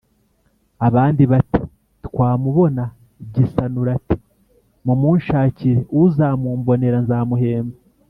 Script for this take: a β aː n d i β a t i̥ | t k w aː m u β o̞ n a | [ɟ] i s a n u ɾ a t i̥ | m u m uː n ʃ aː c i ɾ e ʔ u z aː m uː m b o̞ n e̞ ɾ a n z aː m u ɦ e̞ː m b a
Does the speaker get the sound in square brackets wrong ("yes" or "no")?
no